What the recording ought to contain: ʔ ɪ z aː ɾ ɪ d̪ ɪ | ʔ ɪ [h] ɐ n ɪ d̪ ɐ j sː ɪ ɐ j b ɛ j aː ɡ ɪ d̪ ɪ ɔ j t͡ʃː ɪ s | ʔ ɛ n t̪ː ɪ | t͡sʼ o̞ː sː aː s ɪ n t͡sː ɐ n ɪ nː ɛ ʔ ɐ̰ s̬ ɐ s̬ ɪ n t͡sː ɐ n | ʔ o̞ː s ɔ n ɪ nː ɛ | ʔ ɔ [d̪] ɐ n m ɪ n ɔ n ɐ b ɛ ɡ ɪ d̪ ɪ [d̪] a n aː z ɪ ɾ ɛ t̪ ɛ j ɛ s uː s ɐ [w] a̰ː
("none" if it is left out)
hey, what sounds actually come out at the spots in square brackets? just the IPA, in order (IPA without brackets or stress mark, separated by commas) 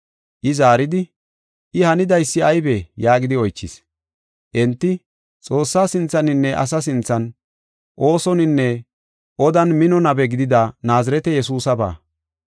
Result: h, d̪, d̪, b